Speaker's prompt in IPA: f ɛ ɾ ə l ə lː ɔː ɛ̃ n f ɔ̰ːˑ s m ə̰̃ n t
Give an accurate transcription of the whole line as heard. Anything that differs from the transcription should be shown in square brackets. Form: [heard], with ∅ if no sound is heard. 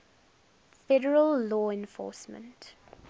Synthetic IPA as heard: f ɛ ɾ ə [ɹ] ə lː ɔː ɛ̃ n f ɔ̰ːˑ s m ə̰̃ n t